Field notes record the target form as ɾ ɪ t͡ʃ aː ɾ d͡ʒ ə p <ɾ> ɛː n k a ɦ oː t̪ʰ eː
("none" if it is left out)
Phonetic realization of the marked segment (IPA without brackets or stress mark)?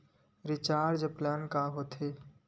l